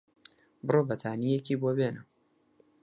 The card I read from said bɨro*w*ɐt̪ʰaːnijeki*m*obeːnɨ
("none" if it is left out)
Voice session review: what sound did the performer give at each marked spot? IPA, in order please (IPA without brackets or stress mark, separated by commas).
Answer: b, b